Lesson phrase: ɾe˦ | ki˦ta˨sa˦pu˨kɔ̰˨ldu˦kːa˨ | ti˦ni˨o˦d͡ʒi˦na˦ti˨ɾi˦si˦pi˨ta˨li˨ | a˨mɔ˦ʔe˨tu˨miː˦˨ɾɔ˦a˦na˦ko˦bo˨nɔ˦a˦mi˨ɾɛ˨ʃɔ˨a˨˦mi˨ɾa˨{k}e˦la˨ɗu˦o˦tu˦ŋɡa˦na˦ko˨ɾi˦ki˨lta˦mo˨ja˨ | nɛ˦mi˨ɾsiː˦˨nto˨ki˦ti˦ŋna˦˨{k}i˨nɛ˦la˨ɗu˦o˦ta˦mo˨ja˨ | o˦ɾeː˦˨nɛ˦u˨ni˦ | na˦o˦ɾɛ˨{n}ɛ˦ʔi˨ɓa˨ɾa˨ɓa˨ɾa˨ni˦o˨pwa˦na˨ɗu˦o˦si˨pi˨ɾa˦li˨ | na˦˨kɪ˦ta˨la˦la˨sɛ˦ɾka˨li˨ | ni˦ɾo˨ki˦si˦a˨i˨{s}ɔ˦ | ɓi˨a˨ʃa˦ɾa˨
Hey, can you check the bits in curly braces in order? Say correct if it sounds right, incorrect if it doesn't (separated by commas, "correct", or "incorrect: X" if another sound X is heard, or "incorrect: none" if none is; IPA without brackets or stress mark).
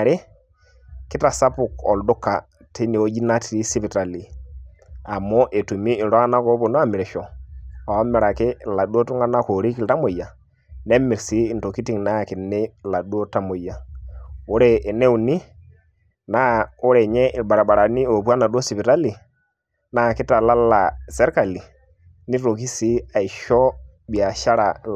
correct, correct, incorrect: ɲ, incorrect: ʃ